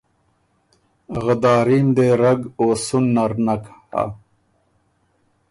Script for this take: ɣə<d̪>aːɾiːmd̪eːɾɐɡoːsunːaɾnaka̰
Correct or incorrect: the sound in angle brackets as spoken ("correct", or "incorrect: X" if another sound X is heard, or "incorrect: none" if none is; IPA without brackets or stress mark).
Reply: correct